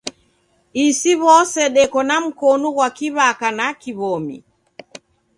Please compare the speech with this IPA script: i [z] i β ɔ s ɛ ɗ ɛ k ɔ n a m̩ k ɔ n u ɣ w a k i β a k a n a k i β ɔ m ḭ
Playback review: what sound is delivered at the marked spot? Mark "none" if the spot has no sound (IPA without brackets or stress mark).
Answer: s